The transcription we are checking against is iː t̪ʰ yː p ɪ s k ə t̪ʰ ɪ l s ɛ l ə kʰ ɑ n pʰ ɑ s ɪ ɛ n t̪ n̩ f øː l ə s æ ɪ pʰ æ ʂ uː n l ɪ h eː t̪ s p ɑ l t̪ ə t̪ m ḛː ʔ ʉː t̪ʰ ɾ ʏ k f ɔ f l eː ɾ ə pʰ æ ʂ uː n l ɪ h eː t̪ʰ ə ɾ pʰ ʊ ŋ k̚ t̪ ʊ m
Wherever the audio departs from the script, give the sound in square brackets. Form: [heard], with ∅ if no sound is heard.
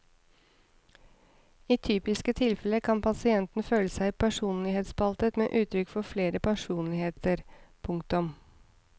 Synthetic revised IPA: iː t̪ʰ yː p ɪ s k ə t̪ʰ ɪ l [f] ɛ l ə kʰ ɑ n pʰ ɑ s ɪ ɛ n t̪ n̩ f øː l ə s æ ɪ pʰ æ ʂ uː n l ɪ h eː t̪ s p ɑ l t̪ ə t̪ m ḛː ʔ ʉː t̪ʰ ɾ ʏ k f ɔ f l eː ɾ ə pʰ æ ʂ uː n l ɪ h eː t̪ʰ ə ɾ pʰ ʊ ŋ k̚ t̪ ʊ m